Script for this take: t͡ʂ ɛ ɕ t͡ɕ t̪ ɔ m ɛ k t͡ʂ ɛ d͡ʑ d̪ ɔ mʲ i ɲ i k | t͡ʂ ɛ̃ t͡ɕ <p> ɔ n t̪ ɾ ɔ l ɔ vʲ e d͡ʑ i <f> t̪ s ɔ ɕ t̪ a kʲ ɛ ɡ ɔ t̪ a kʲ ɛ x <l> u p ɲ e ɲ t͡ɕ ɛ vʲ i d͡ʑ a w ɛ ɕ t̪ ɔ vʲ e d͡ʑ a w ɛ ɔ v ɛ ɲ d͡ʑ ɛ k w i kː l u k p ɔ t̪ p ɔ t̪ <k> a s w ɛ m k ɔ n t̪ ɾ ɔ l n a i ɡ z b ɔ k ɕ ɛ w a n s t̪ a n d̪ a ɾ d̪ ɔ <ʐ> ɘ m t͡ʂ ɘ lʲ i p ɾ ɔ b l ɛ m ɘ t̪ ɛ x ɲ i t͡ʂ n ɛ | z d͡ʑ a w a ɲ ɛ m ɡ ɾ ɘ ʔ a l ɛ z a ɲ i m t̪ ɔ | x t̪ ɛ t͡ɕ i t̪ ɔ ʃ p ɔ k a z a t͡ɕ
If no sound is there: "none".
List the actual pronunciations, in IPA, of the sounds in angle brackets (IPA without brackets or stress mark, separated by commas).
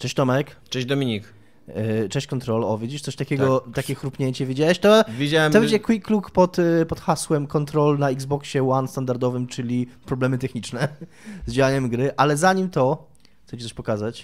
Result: k, ʂ, ɾ, x, v